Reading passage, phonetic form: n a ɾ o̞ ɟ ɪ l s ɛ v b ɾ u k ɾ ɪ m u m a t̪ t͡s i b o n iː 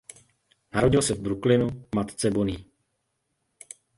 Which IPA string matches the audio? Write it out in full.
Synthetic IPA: n a ɾ o̞ ɟ ɪ l s ɛ v b ɾ u k l ɪ n u m a t̪ t͡s ɛ b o n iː

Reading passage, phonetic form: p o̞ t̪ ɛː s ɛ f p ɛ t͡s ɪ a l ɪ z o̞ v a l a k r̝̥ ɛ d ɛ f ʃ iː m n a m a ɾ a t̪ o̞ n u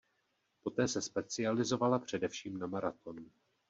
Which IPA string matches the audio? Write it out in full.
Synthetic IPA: p o̞ t̪ ɛː s ɛ s p ɛ t͡s ɪ a l ɪ z o̞ v a l a p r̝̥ ɛ d ɛ f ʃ iː m n a m a ɾ a t̪ o̞ n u

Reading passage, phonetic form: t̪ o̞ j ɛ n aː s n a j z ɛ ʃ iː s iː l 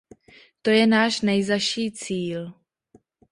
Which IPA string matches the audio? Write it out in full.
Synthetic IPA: t̪ o̞ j ɛ n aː ʃ n ɛ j z a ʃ iː t͡s iː l

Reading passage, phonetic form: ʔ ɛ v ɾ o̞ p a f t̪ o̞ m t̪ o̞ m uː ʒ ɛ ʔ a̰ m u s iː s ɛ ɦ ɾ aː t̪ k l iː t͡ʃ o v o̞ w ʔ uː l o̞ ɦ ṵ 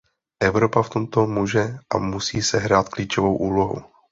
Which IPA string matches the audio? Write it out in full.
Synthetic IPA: ʔ ɛ v ɾ o̞ p a f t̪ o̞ m t̪ o̞ m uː ʒ ɛ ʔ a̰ m u s iː s ɛ ɦ ɾ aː t̪ k l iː t͡ʃ o v o̞ w ʔ uː l o̞ ɦ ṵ

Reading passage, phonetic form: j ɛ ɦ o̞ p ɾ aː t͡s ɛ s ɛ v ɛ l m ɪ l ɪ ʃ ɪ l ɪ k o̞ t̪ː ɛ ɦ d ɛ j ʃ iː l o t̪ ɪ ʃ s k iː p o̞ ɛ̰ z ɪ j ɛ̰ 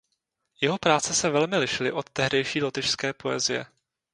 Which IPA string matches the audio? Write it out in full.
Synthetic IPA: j ɛ ɦ o̞ p ɾ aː t͡s ɛ s ɛ v ɛ l m ɪ l ɪ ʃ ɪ l ɪ ʔ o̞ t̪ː ɛ ɦ d ɛ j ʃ iː l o t̪ ɪ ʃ s k ɛː p o̞ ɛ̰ z ɪ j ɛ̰

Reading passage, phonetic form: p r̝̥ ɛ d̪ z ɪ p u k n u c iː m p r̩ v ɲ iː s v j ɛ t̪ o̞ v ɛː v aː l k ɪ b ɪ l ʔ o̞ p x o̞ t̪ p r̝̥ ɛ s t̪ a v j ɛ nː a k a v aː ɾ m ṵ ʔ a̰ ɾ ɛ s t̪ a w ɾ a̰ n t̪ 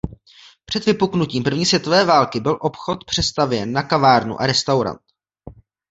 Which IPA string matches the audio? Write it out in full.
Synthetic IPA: p r̝̥ ɛ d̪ v ɪ p u k n u c iː m p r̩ v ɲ iː s v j ɛ t̪ o̞ v ɛː v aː l k ɪ b ɪ l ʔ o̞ p x o̞ t̪ p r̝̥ ɛ s t̪ a v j ɛ nː a k a v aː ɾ n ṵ ʔ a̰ ɾ ɛ s t̪ a w ɾ a̰ n t̪

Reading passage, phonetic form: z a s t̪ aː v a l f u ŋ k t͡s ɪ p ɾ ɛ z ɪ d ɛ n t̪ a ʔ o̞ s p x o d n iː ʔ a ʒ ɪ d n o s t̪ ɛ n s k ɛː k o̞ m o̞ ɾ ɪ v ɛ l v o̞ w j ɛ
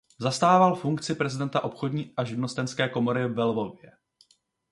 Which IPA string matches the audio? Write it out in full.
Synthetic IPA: z a s t̪ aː v a l f u ŋ k t͡s ɪ p ɾ ɛ z ɪ d ɛ n t̪ a ʔ o̞ p x o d ɲ iː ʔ a ʒ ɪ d n o s t̪ ɛ n s k ɛː k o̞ m o̞ ɾ ɪ v ɛ l v o̞ v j ɛ

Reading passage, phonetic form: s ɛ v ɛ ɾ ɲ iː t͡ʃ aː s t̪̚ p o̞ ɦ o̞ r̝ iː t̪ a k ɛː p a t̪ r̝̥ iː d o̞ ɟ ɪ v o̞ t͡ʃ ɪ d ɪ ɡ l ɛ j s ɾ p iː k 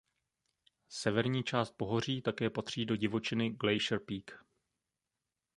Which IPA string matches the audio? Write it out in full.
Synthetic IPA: s ɛ v ɛ ɾ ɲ iː t͡ʃ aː s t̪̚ p o̞ ɦ o̞ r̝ iː t̪ a k ɛː p a t̪ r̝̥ iː d o̞ ɟ ɪ v o̞ t͡ʃ ɪ n ɪ ɡ l ɛ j ʃ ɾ p iː k

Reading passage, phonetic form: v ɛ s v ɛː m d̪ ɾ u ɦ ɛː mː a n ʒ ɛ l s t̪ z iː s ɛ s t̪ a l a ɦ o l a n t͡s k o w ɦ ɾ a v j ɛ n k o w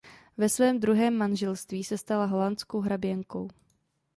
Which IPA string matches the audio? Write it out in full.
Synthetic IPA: v ɛ s v ɛː m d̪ ɾ u ɦ ɛː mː a n ʒ ɛ l s t̪ v iː s ɛ s t̪ a l a ɦ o l a n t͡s k o w ɦ ɾ a b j ɛ ŋ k o w

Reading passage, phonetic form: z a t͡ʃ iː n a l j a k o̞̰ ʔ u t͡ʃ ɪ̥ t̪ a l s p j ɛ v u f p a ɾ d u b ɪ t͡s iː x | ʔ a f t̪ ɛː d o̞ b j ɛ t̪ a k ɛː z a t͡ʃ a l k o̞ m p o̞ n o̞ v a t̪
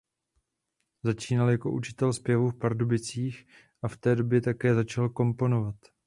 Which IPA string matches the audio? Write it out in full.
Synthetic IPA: z a t͡ʃ iː n a l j a k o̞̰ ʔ u t͡ʃ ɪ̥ t̪ ɛ l s p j ɛ v u f p a ɾ d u b ɪ t͡s iː x | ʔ a f t̪ ɛː d o̞ b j ɛ t̪ a k ɛː z a t͡ʃ a l k o̞ m p o̞ n o̞ v a t̪

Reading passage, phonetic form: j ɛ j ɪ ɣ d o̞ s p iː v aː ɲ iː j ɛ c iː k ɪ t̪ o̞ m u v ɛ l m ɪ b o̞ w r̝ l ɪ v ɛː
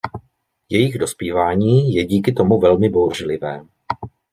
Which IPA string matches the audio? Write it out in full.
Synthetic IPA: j ɛ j ɪ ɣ d o̞ s p iː v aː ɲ iː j ɛ ɟ iː k ɪ t̪ o̞ m u v ɛ l m ɪ b o̞ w r̝ l ɪ v ɛː

